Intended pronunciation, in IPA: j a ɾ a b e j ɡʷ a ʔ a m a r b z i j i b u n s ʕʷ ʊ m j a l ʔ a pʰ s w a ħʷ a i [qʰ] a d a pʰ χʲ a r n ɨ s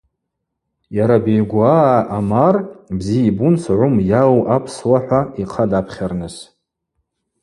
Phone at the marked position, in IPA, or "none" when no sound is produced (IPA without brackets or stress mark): qʰ